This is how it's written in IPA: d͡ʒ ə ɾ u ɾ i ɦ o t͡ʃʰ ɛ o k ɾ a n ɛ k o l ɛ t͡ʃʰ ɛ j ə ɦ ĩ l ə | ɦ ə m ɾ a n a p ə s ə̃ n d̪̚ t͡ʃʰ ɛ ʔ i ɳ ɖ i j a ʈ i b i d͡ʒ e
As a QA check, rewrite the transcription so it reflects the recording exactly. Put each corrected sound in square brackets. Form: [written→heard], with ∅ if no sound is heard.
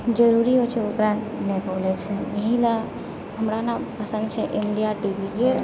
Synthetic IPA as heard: d͡ʒ ə ɾ u ɾ i ɦ o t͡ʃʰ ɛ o k ɾ a n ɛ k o l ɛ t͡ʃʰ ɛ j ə ɦ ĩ l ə | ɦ ə m ɾ a n a p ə s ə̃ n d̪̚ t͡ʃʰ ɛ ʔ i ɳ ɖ i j a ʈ i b i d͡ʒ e